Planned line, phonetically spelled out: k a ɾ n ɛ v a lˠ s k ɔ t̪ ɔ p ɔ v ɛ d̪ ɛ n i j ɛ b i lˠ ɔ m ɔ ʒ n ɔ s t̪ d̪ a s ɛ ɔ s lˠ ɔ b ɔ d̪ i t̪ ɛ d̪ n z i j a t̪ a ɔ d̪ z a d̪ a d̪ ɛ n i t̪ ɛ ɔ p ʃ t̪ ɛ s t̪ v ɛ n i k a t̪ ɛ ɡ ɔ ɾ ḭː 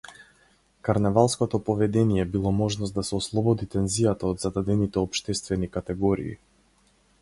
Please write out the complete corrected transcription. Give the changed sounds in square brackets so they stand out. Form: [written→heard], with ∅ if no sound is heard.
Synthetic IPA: k a ɾ n ɛ v a lˠ s k ɔ t̪ ɔ p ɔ v ɛ d̪ ɛ n i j ɛ b i lˠ ɔ m ɔ ʒ n ɔ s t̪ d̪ a s ɛ ɔ s lˠ ɔ b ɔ d̪ i t̪ ɛ [d̪→∅] n z i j a t̪ a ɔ d̪ z a d̪ a d̪ ɛ n i t̪ ɛ ɔ p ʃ t̪ ɛ s t̪ v ɛ n i k a t̪ ɛ ɡ ɔ ɾ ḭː